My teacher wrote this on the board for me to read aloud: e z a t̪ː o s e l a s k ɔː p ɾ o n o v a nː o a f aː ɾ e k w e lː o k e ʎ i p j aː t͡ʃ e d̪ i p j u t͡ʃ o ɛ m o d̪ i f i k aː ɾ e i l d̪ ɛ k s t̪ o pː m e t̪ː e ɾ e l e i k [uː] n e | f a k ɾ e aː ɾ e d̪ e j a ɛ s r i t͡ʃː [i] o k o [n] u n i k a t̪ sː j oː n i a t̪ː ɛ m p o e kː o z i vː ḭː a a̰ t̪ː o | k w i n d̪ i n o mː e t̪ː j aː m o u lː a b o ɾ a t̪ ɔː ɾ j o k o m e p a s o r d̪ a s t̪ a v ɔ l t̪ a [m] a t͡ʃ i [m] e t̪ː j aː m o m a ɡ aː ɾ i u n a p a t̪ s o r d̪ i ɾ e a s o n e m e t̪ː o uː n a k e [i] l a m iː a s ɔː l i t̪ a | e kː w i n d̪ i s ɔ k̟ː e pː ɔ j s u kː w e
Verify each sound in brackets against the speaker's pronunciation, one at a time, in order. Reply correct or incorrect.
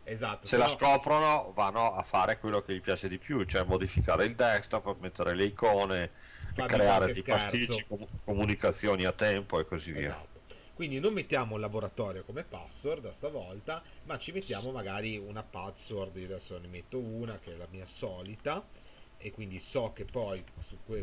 incorrect: ɔː, correct, incorrect: m, correct, correct, incorrect: ɛ

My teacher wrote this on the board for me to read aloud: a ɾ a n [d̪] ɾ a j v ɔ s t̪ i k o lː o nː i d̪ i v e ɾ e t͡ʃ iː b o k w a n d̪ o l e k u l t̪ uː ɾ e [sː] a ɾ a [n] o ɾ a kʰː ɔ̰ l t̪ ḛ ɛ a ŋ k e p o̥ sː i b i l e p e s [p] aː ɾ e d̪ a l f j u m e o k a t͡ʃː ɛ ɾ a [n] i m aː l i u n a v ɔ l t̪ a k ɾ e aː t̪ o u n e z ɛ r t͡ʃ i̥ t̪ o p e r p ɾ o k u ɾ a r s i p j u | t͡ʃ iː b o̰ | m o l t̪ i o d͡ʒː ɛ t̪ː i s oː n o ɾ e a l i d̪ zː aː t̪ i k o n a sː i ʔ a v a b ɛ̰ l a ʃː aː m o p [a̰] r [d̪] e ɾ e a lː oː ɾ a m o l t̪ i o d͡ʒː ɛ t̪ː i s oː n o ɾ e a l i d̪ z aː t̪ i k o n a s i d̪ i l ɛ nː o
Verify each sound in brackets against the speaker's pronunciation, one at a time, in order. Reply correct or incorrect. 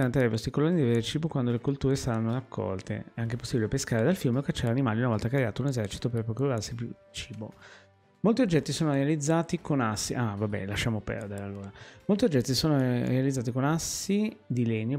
incorrect: t̪, incorrect: s, incorrect: nː, incorrect: k, correct, incorrect: ɛ̰, correct

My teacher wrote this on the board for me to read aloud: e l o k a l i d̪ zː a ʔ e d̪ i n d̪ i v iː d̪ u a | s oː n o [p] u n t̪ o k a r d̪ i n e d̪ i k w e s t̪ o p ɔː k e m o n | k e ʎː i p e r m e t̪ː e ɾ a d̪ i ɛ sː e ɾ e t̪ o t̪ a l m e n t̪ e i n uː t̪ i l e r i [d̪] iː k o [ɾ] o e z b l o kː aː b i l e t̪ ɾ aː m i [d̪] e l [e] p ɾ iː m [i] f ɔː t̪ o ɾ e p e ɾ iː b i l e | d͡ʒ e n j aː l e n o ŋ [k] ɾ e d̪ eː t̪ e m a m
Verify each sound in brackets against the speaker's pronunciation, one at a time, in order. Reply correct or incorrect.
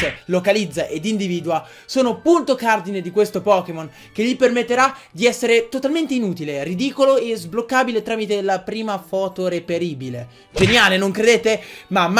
correct, correct, incorrect: l, incorrect: t̪, incorrect: a, incorrect: a, correct

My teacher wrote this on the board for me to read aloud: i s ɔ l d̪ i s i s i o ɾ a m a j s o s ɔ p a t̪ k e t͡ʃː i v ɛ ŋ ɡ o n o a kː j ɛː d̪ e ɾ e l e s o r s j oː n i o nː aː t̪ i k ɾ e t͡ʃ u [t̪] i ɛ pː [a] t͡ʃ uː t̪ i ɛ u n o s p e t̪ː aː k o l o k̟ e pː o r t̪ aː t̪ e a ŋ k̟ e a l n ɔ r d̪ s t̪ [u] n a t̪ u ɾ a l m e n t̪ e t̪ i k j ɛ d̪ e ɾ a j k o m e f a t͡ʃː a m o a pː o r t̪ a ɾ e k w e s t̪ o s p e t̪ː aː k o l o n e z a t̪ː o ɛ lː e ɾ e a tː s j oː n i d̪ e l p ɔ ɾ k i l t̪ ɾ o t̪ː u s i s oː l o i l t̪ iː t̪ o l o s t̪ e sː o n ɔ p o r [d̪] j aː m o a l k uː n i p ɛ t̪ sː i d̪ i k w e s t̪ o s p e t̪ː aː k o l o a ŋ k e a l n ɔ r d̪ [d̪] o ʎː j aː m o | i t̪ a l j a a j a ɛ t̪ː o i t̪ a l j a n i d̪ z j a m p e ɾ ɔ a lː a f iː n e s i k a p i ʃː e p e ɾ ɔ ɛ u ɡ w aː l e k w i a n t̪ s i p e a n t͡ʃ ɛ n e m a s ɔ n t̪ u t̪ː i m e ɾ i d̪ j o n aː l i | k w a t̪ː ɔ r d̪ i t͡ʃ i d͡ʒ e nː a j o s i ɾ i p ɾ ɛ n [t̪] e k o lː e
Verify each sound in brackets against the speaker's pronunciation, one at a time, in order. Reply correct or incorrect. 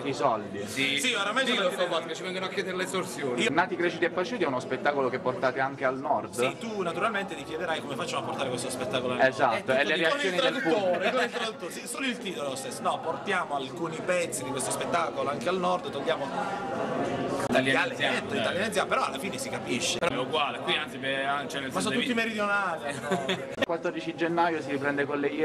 correct, correct, correct, incorrect: t̪, incorrect: t̪, incorrect: d̪

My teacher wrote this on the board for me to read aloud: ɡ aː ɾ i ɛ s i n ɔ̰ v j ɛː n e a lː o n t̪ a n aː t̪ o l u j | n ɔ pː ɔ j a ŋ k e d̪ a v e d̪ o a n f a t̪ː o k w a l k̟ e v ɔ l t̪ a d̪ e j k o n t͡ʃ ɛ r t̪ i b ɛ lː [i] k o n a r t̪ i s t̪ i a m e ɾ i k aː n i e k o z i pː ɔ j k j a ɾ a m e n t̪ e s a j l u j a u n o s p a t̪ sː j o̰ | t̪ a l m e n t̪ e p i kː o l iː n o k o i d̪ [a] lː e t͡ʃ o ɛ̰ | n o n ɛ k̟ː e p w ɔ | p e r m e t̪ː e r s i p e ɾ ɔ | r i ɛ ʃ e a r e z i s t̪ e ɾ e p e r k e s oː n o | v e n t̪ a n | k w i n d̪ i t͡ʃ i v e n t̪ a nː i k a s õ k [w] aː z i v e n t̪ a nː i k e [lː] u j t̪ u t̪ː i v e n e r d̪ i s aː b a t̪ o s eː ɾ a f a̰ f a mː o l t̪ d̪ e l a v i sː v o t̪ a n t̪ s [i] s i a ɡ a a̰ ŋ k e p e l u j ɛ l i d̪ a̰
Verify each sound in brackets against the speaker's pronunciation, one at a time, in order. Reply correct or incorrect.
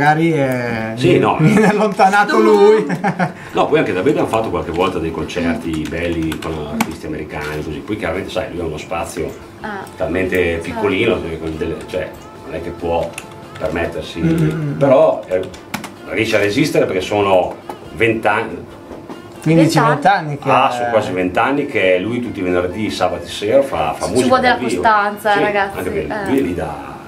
correct, incorrect: e, correct, incorrect: l, incorrect: a

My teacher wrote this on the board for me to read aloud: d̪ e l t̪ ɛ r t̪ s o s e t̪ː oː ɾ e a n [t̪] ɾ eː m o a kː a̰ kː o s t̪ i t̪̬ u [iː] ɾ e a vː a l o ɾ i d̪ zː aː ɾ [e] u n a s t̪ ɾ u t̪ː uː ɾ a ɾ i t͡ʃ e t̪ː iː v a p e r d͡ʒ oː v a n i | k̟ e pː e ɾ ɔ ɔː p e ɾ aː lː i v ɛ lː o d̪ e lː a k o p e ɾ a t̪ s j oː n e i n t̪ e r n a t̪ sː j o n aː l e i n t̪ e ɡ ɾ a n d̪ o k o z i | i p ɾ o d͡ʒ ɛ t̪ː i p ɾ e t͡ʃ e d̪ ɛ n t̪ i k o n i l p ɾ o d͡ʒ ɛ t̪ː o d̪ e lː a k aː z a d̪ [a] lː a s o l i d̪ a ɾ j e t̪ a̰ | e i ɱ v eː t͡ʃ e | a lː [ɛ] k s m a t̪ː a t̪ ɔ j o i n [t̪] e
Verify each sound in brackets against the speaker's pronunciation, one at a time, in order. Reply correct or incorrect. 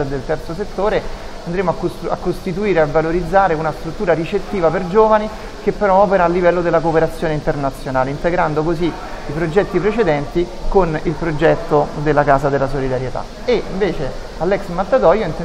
incorrect: d̪, correct, correct, incorrect: e, correct, correct

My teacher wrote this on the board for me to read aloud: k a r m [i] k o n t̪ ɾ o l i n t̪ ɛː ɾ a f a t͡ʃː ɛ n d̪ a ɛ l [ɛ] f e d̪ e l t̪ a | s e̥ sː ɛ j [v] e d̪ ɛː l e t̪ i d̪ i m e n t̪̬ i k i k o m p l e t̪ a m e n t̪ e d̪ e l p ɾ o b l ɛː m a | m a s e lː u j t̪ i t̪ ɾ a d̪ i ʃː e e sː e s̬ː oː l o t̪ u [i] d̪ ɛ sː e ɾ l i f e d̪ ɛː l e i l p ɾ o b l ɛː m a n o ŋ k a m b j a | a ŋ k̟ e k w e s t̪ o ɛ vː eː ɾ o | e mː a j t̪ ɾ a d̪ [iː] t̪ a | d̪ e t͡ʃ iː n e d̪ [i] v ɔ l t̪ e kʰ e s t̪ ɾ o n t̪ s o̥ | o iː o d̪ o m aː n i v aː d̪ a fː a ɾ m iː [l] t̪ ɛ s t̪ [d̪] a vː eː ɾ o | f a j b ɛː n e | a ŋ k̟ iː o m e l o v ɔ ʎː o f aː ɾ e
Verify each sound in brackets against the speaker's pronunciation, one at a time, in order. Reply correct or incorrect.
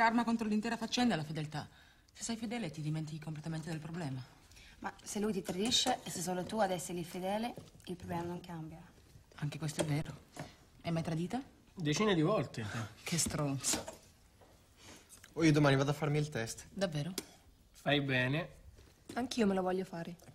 incorrect: a, incorrect: a, incorrect: f, incorrect: a, correct, correct, correct, correct

